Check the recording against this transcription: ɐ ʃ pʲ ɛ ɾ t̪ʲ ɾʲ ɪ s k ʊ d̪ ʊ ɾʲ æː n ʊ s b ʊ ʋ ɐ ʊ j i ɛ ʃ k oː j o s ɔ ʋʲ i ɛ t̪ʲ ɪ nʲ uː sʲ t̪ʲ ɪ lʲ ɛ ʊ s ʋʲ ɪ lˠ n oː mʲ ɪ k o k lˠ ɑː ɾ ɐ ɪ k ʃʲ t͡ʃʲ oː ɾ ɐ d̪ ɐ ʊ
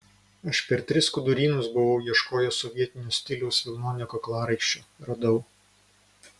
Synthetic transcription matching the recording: ɐ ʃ pʲ ɛ ɾ t̪ʲ ɾʲ ɪ s k ʊ d̪ ʊ ɾʲ iː n ʊ s b ʊ ʋ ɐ ʊ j i ɛ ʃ k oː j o s ɔ ʋʲ i ɛ t̪ʲ ɪ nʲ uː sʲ t̪ʲ ɪ lʲ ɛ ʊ s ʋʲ ɪ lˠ n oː nʲ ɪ k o k lˠ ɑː ɾ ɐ ɪ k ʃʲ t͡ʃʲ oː ɾ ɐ d̪ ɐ ʊ